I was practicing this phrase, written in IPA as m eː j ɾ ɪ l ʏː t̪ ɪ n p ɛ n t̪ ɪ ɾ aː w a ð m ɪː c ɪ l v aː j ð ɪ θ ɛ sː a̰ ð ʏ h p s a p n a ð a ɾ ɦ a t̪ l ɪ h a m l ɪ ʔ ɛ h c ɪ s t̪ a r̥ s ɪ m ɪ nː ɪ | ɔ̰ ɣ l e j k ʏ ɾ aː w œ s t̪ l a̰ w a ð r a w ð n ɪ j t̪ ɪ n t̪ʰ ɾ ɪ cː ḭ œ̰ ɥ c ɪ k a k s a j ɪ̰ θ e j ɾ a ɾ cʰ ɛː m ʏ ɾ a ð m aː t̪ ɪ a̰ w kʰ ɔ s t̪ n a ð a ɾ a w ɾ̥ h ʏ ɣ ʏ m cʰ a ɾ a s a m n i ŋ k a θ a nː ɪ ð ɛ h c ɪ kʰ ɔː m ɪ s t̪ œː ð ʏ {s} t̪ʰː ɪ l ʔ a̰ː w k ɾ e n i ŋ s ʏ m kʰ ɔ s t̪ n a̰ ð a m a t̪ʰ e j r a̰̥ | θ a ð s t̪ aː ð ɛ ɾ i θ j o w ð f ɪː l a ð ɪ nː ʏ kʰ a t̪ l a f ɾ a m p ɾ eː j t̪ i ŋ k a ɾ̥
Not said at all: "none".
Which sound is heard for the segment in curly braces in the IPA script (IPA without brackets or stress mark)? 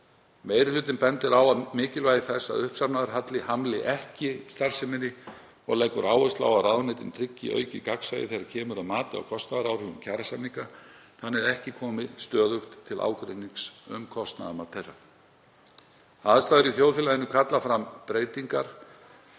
x